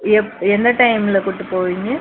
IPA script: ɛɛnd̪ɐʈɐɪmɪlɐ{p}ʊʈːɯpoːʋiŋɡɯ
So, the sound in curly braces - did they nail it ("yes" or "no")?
no